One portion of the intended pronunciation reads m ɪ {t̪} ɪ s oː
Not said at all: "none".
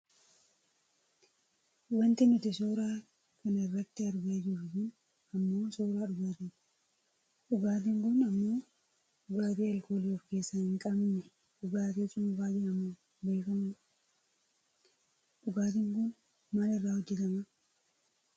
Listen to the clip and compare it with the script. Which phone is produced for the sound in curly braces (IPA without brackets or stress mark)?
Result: t̪